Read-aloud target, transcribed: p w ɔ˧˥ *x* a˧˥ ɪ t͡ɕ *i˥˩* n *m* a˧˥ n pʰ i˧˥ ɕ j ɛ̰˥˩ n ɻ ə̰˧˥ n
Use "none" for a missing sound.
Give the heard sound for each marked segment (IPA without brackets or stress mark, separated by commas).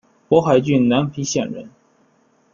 x, y˥˩, n